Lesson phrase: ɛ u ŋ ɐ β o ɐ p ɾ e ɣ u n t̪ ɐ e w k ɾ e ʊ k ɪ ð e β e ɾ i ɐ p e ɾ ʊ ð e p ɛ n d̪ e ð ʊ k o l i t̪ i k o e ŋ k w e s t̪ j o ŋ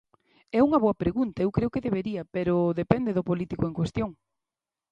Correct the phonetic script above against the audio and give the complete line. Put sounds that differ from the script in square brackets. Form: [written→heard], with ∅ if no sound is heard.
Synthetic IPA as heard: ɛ u ŋ ɐ β o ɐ p ɾ e ɣ u n t̪ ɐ e w k ɾ e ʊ k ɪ ð e β e ɾ i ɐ p e ɾ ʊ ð e p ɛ n d̪ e ð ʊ [k→p] o l i t̪ i k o e ŋ k w e s t̪ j o ŋ